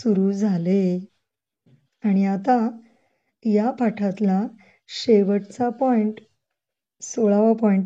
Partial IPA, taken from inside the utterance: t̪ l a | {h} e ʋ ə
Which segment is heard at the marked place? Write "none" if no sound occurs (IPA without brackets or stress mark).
ɕ